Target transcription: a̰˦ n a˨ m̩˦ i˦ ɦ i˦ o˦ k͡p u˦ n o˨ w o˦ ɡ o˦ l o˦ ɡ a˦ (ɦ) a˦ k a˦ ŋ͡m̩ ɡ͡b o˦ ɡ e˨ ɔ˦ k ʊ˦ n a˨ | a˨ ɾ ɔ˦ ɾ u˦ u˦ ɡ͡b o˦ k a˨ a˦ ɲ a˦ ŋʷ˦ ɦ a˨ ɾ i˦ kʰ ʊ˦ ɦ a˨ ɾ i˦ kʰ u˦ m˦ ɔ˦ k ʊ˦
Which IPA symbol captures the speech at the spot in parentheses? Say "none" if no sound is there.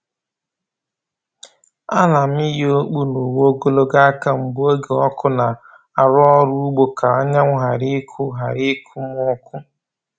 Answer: none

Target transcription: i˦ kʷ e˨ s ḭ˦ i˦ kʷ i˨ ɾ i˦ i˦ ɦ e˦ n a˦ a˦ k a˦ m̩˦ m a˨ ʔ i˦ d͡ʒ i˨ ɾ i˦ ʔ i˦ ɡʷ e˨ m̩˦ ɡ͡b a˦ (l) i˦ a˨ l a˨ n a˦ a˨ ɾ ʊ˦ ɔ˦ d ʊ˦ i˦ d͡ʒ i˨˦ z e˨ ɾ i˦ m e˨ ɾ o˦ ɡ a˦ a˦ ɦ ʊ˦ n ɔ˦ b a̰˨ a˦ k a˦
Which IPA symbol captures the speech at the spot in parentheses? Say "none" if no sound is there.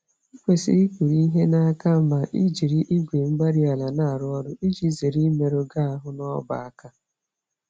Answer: ɾ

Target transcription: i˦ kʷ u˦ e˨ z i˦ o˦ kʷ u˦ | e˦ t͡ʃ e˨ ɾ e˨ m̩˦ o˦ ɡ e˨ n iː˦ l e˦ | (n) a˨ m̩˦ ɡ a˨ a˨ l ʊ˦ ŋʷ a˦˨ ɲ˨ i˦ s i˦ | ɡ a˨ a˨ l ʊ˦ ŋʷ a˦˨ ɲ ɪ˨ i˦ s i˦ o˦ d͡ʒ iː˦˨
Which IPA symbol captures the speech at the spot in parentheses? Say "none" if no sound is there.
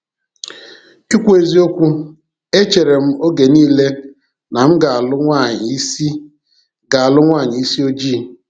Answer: n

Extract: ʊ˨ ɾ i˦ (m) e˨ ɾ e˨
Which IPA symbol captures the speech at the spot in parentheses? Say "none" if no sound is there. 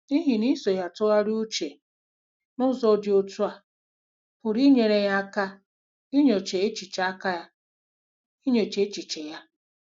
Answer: ɲ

